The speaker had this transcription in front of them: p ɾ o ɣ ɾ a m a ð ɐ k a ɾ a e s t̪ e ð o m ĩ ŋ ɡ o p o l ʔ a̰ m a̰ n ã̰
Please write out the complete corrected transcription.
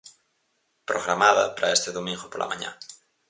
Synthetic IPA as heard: p ɾ o ɣ ɾ a m a ð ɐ p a ɾ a e s t̪ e ð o m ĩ ŋ ɡ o p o l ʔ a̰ m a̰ ɲ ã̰